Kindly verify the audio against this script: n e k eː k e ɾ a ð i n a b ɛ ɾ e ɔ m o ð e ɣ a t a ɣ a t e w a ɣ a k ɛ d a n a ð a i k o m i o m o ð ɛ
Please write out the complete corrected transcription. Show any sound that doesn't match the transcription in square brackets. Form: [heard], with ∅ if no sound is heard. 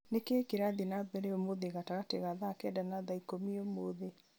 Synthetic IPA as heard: n e k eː k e ɾ a ð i n a b ɛ ɾ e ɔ m o ð e ɣ a t a ɣ a t e [ɣ] a [ð] a k ɛ d a n a ð a i k o m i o m o ð [e]